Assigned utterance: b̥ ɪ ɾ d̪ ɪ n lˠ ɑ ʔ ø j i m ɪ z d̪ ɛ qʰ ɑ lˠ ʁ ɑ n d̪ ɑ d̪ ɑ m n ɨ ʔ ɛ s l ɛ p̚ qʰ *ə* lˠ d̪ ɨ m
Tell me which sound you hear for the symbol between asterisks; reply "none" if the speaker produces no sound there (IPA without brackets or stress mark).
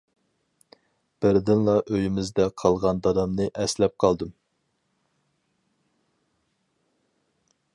ɑ